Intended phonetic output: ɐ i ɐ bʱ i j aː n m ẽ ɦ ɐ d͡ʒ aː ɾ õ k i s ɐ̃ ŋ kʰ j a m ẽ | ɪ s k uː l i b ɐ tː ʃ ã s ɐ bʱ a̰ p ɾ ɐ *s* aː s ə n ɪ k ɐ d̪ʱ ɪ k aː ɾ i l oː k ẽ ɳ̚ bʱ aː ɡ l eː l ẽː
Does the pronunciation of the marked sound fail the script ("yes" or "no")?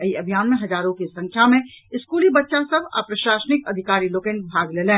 yes